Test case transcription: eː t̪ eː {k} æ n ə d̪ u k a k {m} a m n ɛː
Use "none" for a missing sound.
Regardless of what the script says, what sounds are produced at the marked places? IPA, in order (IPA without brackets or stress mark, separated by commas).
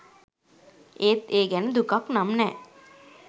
ɡ, n